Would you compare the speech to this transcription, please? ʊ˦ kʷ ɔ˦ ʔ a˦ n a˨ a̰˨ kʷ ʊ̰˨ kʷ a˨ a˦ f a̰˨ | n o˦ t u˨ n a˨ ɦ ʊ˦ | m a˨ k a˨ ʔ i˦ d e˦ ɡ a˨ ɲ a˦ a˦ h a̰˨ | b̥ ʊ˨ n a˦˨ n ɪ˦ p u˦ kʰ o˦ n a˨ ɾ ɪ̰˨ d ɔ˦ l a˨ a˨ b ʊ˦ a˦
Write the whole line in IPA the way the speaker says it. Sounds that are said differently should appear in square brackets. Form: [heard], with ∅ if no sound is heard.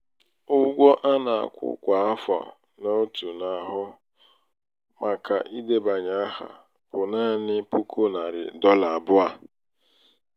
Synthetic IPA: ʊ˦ [ɡʷ] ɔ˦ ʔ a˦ n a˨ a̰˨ kʷ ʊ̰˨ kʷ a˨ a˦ f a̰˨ | n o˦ t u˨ n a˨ ɦ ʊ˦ | m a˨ k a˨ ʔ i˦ d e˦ [b] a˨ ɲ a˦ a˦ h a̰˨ | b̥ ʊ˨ n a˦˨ n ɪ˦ p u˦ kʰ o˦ n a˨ ɾ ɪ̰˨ d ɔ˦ l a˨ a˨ b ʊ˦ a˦